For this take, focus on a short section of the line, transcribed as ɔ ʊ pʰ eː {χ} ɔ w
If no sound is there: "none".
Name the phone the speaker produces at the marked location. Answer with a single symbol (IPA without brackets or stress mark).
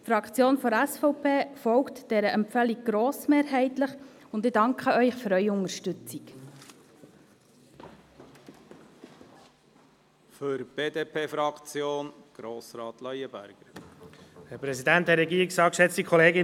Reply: f